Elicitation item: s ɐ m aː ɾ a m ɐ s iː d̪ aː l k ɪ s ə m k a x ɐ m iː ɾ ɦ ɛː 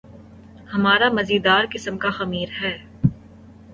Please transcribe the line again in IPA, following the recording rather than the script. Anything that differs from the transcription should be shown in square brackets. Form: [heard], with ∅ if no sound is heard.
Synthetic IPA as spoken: [h] ɐ m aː ɾ a m ɐ [z] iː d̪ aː [ɾ] k ɪ s ə m k a x ɐ m iː ɾ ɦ ɛː